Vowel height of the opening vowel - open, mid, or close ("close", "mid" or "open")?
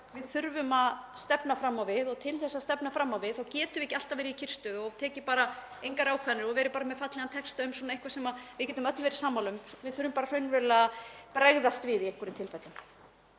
close